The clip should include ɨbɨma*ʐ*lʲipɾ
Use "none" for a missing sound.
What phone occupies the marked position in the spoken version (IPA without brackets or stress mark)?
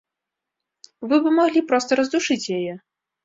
ɣ